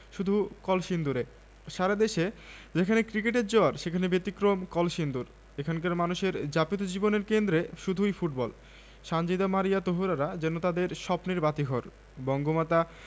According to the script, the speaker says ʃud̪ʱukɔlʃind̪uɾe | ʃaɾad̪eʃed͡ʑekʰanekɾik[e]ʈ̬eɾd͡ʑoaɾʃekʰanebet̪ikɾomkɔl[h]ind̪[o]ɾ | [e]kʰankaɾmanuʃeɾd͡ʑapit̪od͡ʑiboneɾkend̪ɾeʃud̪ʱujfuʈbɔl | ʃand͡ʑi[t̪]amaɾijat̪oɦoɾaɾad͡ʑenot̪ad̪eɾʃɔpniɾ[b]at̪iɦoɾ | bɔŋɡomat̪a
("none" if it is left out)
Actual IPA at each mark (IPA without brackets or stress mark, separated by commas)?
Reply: e, ʃ, u, e, d̪, b